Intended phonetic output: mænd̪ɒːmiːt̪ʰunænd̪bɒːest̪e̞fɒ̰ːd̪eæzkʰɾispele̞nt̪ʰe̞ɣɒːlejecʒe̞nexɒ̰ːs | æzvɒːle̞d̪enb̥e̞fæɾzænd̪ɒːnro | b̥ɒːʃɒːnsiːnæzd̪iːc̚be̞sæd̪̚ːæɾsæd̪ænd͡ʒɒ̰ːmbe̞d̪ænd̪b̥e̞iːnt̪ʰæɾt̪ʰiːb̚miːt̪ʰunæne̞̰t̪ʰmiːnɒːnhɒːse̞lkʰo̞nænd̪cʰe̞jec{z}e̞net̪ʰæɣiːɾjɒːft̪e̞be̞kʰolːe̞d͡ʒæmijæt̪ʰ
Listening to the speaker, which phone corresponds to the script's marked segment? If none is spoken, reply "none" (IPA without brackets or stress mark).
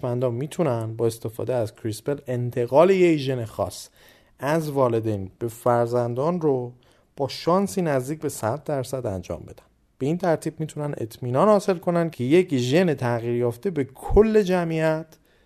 ʒ